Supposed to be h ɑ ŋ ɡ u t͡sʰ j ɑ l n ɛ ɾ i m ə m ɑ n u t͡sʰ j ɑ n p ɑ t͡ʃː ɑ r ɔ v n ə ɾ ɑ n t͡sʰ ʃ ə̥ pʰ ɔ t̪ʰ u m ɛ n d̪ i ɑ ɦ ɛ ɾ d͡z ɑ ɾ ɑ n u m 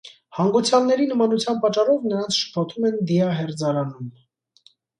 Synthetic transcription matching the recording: h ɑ ŋ ɡ u t͡sʰ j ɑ l n ɛ ɾ i n ə m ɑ n u t͡sʰ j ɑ n p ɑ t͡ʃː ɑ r ɔ v n ə ɾ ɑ n t͡sʰ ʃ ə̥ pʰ ɔ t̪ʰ u m ɛ n d̪ i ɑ ɦ ɛ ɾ d͡z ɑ ɾ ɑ n u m